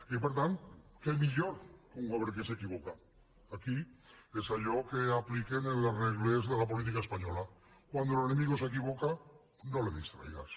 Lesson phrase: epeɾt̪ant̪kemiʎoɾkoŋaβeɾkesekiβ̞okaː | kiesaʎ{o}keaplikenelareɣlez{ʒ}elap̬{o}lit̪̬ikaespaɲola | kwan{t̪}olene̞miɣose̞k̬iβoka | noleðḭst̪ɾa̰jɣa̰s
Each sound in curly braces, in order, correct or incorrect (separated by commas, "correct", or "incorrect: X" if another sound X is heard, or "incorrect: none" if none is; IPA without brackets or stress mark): correct, incorrect: ð, correct, incorrect: d̪